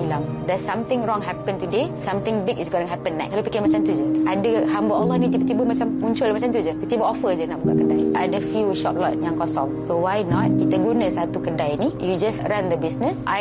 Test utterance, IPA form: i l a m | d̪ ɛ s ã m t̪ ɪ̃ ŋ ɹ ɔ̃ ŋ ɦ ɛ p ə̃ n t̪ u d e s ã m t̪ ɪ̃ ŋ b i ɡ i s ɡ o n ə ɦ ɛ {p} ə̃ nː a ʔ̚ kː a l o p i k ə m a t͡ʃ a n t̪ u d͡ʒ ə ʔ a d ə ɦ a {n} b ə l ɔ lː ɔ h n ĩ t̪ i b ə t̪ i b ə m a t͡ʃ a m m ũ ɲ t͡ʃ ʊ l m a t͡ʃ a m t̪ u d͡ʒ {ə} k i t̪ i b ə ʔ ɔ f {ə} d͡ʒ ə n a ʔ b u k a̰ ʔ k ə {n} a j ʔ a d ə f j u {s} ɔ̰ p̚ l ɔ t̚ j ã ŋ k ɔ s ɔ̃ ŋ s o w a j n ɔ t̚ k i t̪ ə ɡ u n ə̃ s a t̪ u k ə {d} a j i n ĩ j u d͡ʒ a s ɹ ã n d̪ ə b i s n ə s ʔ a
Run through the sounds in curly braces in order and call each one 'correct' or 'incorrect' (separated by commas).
correct, incorrect, correct, correct, incorrect, incorrect, correct